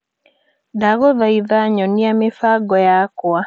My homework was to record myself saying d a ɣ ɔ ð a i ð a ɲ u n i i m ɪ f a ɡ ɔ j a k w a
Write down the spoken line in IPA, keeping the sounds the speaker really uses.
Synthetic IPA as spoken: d a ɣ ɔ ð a i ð a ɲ ɔ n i a m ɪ f a ɡ ɔ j a k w a